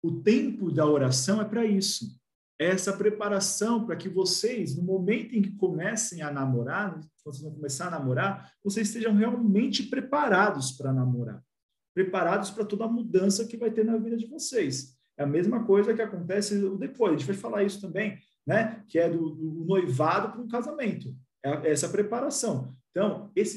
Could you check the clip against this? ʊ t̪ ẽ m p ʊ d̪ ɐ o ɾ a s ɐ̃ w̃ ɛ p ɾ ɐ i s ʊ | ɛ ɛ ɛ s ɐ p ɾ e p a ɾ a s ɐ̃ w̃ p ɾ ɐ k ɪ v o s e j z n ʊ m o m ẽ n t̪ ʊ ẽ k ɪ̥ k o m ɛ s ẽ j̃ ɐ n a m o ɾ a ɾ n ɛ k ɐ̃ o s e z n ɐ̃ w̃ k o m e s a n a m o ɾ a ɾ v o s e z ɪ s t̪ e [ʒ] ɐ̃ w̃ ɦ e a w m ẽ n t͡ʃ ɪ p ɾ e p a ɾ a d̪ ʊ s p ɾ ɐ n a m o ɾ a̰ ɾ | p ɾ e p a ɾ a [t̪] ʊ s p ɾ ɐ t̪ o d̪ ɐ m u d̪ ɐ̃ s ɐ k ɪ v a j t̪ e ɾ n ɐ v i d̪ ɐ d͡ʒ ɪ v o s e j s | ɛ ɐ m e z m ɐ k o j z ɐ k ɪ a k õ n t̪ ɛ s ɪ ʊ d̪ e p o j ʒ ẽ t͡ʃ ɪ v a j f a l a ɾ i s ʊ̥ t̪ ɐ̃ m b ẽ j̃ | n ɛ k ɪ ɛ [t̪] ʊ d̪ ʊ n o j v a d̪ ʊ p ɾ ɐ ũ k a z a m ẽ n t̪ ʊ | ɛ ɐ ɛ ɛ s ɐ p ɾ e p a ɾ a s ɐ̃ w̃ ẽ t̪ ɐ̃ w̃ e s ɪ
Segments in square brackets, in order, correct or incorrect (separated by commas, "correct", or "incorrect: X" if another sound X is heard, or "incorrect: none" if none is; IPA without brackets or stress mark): correct, incorrect: d̪, incorrect: d̪